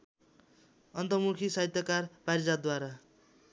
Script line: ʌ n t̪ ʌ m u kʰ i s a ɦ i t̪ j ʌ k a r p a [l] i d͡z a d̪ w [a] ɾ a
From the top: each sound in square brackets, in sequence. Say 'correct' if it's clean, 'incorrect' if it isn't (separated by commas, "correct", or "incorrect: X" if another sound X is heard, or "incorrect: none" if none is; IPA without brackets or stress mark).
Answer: incorrect: ɾ, correct